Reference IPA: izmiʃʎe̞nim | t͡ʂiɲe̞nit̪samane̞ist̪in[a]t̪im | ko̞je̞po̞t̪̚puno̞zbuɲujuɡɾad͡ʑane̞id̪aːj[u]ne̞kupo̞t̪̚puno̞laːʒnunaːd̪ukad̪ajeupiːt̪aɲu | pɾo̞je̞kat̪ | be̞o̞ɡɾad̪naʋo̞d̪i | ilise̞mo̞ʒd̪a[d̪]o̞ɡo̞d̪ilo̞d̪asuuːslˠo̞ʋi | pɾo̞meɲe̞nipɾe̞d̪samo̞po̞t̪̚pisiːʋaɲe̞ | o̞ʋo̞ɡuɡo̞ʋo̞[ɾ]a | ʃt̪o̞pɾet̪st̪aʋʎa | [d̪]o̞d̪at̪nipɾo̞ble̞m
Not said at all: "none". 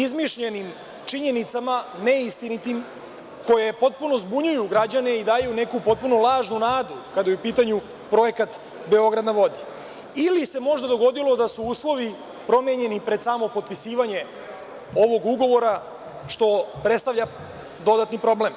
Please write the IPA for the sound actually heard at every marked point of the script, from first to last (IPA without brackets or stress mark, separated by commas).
i, u, d̪, ɾ, d̪